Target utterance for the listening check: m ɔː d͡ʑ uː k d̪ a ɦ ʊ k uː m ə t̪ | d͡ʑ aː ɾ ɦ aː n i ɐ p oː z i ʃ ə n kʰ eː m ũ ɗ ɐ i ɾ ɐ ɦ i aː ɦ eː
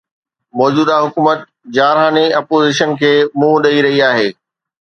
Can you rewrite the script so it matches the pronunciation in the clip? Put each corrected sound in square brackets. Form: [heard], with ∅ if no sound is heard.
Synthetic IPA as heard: m ɔː d͡ʑ uː [∅] d̪ a ɦ ʊ k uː m ə t̪ | d͡ʑ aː ɾ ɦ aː n i ɐ p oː z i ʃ ə n kʰ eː m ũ ɗ ɐ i ɾ ɐ ɦ i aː ɦ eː